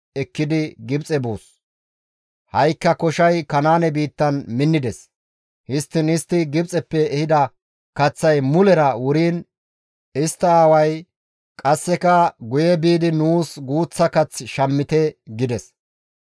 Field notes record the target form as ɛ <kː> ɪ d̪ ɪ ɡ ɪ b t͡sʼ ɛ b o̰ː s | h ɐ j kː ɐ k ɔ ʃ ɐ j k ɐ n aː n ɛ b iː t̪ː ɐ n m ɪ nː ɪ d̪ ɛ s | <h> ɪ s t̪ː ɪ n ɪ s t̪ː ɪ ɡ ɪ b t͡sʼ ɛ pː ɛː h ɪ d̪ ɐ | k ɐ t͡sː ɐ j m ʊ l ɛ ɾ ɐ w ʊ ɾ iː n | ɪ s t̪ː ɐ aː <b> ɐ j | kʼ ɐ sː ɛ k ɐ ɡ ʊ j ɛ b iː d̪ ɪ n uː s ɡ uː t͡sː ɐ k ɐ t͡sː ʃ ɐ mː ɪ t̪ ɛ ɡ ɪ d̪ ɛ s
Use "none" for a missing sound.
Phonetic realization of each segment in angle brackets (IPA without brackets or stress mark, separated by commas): kː, h, w